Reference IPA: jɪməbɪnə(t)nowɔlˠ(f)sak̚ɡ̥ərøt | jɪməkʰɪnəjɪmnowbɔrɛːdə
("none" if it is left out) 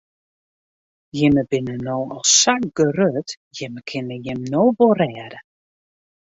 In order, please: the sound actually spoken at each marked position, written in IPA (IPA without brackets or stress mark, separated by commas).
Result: none, s